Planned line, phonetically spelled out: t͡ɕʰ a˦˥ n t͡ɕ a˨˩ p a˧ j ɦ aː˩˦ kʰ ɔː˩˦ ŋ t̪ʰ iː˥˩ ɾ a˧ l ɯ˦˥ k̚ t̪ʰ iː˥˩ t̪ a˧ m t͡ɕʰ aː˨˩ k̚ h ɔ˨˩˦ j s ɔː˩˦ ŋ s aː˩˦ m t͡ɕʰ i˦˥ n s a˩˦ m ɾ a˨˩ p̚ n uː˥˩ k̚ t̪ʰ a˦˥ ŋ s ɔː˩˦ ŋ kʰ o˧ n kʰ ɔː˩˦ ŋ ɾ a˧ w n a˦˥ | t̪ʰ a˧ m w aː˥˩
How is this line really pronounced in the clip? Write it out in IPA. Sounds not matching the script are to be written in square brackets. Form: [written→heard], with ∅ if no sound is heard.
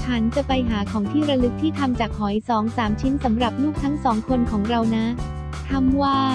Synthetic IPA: t͡ɕʰ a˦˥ n t͡ɕ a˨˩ p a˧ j ɦ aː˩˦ kʰ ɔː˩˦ ŋ t̪ʰ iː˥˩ ɾ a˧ l ɯ˦˥ k̚ t̪ʰ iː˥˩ [t̪→t̪ʰ] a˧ m [t͡ɕʰ→t͡ɕ] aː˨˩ k̚ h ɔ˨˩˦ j s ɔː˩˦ ŋ s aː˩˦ m t͡ɕʰ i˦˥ n s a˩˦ m ɾ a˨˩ p̚ n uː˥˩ k̚ t̪ʰ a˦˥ ŋ s ɔː˩˦ ŋ kʰ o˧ n kʰ ɔː˩˦ ŋ ɾ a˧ w n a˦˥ | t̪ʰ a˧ m w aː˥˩